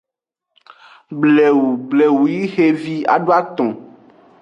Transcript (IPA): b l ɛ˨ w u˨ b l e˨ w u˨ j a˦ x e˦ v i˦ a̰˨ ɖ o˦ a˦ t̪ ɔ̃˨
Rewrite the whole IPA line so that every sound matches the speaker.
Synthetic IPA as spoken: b l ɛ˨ w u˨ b l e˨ w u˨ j i˦ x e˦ v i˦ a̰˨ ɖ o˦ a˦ t̪ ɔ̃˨